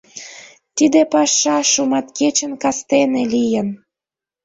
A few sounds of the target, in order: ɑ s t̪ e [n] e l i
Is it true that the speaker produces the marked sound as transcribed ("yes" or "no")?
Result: yes